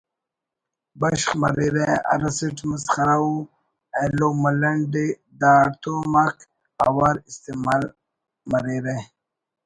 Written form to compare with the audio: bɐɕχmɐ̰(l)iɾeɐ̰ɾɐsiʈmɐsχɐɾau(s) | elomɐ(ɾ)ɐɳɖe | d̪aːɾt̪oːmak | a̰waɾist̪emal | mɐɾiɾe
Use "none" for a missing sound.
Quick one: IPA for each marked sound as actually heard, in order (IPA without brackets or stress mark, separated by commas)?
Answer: ɾ, none, l